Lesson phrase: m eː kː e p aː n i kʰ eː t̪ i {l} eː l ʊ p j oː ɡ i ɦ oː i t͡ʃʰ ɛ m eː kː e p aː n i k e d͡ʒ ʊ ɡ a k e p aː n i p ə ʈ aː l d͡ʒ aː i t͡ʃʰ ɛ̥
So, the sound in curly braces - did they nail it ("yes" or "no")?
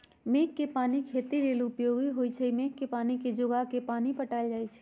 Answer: no